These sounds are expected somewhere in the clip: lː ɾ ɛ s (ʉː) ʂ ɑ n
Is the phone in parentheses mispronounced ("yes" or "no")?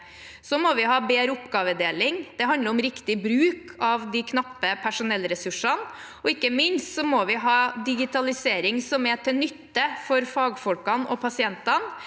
yes